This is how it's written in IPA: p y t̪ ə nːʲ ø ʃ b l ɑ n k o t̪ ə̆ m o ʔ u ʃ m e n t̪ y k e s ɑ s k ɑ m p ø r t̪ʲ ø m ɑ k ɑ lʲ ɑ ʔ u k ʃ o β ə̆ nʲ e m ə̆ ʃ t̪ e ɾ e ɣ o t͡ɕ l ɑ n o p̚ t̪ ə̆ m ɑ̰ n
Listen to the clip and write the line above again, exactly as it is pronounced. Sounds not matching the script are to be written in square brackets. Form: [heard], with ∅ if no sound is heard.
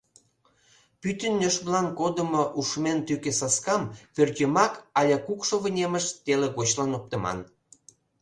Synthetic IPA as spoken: p y t̪ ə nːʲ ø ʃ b l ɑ n k o [d̪] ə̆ m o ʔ u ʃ m e n t̪ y k e s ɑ s k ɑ m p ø r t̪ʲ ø m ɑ k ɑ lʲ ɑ [k] u k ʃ o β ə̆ nʲ e m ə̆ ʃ t̪ e [l] e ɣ o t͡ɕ l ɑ n o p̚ t̪ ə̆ m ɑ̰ n